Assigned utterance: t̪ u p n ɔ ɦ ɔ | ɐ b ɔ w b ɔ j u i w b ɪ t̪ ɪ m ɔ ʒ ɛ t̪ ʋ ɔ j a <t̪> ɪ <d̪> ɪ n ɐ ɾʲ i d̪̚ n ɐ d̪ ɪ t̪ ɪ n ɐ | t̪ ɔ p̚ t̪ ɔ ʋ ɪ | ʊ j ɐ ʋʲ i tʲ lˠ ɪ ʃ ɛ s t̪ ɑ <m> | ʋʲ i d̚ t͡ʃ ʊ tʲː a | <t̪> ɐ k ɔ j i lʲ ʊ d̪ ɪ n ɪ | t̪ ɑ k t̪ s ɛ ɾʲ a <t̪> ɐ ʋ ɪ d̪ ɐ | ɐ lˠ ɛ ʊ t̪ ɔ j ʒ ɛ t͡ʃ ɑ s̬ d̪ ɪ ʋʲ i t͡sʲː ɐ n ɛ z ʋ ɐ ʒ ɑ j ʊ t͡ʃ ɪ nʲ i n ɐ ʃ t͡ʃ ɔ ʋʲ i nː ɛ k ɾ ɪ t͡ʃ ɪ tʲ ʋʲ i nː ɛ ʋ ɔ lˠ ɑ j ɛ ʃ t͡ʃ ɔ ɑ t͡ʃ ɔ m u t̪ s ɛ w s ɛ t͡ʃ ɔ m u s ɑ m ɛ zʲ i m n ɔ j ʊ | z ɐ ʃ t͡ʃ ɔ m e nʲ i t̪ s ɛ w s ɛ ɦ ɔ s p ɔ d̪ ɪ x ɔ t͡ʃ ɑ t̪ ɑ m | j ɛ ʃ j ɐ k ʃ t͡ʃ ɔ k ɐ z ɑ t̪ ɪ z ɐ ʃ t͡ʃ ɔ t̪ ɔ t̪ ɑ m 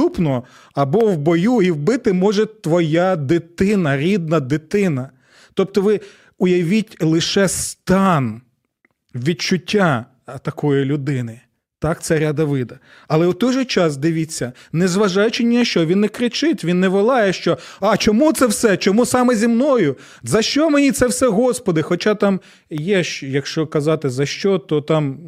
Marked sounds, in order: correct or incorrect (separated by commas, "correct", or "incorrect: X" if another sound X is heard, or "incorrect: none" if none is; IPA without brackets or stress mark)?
incorrect: d̪, incorrect: t̪, incorrect: n, correct, incorrect: d̪